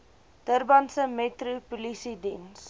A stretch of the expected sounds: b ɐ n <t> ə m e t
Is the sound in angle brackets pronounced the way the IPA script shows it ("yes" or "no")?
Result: no